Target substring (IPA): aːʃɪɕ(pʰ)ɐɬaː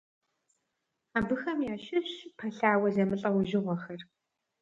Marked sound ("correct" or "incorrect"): correct